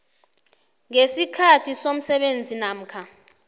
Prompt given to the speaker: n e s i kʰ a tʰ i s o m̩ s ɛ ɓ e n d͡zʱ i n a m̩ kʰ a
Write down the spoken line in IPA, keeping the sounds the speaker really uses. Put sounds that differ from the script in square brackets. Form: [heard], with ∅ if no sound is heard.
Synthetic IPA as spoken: [ŋ] e s i kʰ a tʰ i s o m̩ s ɛ ɓ e n d͡zʱ i n a m̩ kʰ a

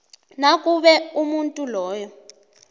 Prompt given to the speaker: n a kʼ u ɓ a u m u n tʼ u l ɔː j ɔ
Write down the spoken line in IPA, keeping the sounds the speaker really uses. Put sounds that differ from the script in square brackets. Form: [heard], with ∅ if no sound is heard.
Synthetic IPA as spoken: n a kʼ u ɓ [ɛ] u m u n tʼ u l ɔː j ɔ

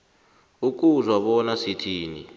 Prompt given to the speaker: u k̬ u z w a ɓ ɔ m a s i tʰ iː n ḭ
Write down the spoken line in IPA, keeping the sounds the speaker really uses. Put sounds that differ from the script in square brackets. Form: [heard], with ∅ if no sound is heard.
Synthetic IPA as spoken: u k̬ u z w a ɓ ɔ [n] a s i tʰ iː n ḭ

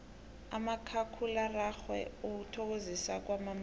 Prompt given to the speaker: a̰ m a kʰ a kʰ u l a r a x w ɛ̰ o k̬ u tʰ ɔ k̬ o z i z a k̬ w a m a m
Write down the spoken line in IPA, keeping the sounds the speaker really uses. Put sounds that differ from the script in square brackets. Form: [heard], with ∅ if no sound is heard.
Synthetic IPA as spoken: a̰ m a kʰ a kʰ u l a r a x w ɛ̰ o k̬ u tʰ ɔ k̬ o z i [s] a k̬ w a m a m

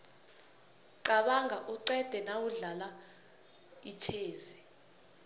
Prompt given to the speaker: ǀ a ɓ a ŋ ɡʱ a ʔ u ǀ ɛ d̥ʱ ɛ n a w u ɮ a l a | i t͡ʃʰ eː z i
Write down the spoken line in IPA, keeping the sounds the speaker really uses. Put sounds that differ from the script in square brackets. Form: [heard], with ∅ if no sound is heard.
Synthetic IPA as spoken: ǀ a ɓ a ŋ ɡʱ a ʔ u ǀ ɛ d̥ʱ ɛ n a w u ɮ a l a | i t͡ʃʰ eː z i

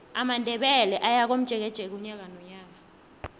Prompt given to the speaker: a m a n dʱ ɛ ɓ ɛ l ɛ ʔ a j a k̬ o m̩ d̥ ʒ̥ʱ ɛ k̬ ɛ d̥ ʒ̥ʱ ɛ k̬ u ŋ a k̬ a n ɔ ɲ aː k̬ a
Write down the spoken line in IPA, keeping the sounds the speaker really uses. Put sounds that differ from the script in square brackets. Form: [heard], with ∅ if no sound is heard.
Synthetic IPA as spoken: a m a n dʱ ɛ ɓ ɛ l ɛ ʔ a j a k̬ o m̩ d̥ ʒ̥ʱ ɛ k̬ ɛ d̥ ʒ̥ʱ ɛ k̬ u [ɲ] a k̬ a n ɔ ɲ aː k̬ a

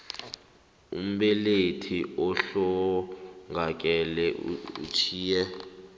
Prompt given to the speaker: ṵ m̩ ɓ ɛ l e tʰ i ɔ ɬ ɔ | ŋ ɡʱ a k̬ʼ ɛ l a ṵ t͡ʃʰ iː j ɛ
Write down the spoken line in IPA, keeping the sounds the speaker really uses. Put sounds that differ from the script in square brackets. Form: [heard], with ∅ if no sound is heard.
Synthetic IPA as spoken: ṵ m̩ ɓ ɛ l e tʰ i ɔ ɬ ɔ | ŋ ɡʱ a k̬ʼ ɛ l [ɛ] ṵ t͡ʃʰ iː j ɛ

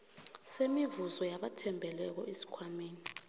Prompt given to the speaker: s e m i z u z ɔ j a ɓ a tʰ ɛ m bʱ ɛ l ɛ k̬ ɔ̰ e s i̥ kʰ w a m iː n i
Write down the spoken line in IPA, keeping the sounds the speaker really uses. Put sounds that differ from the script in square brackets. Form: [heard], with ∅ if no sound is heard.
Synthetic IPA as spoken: s e m i [v] u z ɔ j a ɓ a tʰ ɛ m bʱ ɛ l ɛ k̬ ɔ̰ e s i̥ kʰ w a m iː n i

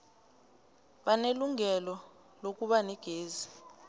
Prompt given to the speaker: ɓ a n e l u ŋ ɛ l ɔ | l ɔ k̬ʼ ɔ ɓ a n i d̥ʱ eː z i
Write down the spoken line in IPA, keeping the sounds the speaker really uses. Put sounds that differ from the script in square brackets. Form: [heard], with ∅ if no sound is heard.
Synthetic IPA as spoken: ɓ a n e l u ŋ ɛ l ɔ | l [o] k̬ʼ [u] ɓ a n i [ɡ̥ʱ] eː z i

